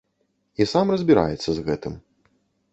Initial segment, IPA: i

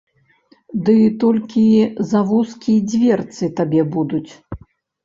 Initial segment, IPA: d̪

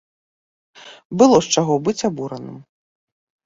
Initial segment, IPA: b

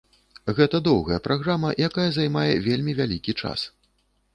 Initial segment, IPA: ɣ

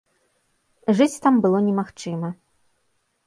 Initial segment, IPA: ʐ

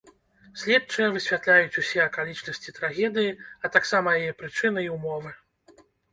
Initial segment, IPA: sʲ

